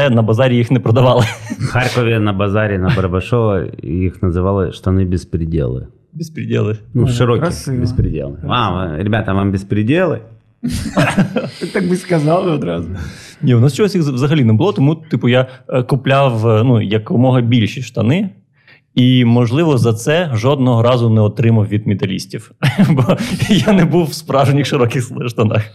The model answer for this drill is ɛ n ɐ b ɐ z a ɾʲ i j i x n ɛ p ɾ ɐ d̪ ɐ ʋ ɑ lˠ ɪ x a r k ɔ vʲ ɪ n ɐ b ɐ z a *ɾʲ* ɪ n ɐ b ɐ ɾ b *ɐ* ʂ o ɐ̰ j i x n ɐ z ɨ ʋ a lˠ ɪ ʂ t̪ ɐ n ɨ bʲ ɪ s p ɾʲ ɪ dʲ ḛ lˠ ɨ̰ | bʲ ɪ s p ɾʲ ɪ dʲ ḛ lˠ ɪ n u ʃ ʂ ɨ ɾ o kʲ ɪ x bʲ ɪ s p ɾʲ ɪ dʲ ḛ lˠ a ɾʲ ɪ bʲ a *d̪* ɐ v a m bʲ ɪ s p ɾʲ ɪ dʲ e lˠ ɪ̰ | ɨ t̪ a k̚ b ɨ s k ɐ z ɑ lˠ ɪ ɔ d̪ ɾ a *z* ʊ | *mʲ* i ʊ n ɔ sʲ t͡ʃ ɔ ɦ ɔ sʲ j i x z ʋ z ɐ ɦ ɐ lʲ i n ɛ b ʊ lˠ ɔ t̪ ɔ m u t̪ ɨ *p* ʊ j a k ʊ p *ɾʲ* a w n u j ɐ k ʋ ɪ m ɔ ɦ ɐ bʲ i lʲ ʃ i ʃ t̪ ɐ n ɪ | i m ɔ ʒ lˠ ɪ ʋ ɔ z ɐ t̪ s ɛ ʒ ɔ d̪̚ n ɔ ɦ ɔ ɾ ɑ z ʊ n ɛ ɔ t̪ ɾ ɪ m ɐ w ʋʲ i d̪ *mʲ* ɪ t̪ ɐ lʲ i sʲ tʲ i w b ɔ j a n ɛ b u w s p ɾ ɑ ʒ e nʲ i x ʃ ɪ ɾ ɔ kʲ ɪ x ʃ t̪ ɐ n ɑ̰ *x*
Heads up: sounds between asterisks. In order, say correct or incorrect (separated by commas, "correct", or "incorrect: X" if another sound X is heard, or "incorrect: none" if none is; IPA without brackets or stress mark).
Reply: correct, correct, incorrect: t̪, correct, incorrect: nʲ, correct, incorrect: lʲ, correct, correct